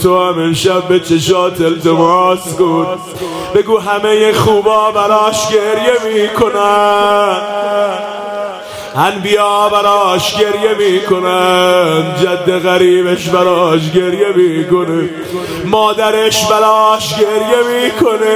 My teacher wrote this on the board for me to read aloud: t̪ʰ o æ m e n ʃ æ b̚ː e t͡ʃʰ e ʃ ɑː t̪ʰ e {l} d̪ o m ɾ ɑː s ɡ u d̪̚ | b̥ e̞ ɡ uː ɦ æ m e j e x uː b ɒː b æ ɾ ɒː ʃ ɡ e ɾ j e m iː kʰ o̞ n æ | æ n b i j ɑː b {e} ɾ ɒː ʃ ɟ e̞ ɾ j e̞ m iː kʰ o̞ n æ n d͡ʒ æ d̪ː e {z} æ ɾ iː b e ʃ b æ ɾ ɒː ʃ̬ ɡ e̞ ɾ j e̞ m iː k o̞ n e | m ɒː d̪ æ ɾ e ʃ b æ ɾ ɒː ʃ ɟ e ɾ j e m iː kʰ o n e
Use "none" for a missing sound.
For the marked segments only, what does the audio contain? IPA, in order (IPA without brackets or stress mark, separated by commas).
l, æ, ɣ